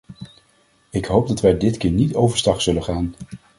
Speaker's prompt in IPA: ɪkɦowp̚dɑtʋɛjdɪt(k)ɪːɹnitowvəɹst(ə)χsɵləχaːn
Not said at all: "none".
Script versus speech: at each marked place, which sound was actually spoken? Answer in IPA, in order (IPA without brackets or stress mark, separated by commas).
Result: k, ɑ